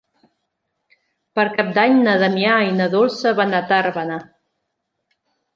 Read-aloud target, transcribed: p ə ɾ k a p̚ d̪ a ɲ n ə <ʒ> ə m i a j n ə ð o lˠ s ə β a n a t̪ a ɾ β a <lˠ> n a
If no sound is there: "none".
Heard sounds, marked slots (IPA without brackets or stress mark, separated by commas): ð, none